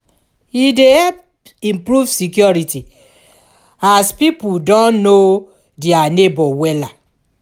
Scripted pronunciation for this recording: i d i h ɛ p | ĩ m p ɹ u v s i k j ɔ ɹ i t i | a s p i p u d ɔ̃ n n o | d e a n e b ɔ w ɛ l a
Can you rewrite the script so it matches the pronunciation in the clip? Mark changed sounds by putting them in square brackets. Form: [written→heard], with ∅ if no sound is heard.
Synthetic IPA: i d [i→e] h ɛ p | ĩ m p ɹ u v s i k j ɔ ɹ i t i | a s p i p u d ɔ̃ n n o | d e a n e b ɔ w ɛ l a